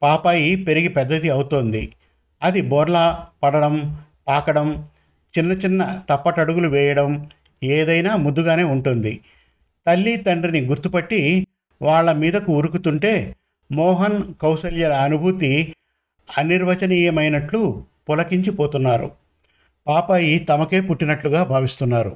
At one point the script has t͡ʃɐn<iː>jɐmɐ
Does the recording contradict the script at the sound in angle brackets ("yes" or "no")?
no